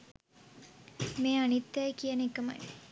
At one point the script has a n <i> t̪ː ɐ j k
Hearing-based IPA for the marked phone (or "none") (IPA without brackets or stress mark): i